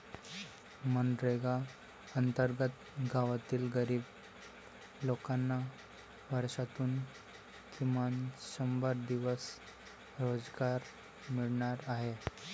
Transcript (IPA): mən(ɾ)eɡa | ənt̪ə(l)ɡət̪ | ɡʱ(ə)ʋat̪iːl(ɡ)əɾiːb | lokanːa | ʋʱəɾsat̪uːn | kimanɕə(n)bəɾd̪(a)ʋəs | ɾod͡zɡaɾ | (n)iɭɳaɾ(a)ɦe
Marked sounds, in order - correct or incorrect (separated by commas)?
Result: correct, incorrect, incorrect, correct, incorrect, incorrect, incorrect, correct